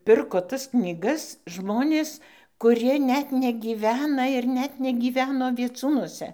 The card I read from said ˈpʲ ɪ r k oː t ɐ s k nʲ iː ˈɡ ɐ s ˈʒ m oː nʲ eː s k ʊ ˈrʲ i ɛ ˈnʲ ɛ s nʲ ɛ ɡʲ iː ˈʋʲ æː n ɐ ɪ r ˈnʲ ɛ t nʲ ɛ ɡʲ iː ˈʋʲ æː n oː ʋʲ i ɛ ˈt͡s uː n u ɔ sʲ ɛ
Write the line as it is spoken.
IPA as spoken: ˈpʲ ɪ r k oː t ɐ s k nʲ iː ˈɡ ɐ s ˈʒ m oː nʲ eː s k ʊ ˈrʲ i ɛ ˈnʲ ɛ t nʲ ɛ ɡʲ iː ˈʋʲ æː n ɐ ɪ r ˈnʲ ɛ t nʲ ɛ ɡʲ iː ˈʋʲ æː n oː ʋʲ i ɛ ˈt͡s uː n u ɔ sʲ ɛ